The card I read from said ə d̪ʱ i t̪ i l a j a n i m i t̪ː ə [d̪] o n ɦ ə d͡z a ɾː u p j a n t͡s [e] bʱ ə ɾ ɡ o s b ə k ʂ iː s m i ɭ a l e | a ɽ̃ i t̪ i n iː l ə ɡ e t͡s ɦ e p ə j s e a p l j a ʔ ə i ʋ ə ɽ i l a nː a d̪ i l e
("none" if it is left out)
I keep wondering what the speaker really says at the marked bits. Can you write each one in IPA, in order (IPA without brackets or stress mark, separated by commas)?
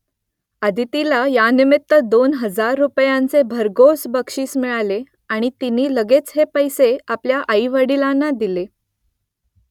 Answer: d̪, e